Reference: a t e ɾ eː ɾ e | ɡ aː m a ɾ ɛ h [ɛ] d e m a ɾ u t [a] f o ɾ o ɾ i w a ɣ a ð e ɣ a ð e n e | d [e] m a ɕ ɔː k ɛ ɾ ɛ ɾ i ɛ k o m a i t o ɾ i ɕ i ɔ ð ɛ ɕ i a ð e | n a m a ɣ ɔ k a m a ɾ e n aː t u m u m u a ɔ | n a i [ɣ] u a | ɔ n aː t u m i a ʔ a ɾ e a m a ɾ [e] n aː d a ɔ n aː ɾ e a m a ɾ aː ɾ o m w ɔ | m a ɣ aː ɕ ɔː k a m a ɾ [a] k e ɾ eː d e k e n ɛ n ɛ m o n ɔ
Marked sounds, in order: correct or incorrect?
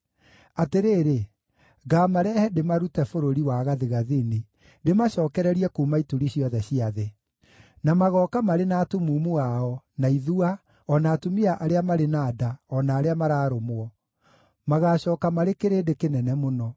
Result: correct, incorrect: ɛ, correct, incorrect: ð, correct, incorrect: e

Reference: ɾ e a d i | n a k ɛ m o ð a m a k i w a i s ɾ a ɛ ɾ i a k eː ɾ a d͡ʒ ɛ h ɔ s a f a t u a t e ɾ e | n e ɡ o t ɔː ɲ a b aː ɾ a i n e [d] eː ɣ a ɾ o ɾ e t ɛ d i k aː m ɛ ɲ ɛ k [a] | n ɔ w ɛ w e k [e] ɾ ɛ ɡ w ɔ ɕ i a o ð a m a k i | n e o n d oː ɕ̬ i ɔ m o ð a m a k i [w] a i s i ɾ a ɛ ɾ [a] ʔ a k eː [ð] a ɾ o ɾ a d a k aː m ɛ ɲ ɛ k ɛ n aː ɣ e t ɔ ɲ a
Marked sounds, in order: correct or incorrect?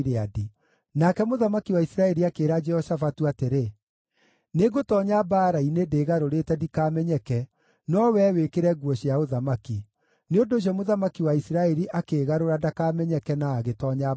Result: correct, incorrect: ɛ, correct, correct, incorrect: i, incorrect: ɣ

